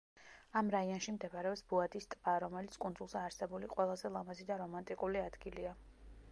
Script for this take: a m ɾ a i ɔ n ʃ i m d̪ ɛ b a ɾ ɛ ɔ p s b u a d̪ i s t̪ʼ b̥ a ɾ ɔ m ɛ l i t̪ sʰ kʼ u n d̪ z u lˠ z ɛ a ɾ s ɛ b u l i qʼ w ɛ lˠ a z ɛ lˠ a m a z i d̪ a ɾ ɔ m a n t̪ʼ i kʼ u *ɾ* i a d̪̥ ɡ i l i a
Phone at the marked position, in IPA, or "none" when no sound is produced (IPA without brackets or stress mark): l